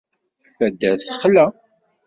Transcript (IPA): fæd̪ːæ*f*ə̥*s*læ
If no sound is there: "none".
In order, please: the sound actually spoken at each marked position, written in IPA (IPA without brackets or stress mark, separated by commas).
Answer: θ, χ